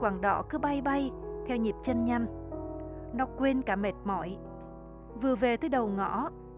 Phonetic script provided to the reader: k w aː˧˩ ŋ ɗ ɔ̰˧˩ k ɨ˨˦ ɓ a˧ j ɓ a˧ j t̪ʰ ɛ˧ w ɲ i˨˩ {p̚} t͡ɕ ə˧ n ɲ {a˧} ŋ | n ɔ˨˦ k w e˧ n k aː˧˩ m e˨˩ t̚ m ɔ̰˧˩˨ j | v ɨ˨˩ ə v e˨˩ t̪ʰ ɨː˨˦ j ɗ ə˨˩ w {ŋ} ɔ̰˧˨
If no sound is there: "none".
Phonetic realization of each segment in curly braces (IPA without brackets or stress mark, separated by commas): p̚, a˧, ŋ